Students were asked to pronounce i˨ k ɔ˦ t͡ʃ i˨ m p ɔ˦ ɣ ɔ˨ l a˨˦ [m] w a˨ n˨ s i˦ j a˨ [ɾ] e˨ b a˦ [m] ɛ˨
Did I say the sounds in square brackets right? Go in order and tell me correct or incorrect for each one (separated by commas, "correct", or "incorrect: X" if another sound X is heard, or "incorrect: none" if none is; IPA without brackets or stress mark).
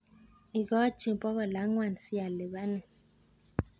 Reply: incorrect: ŋ, incorrect: l, incorrect: n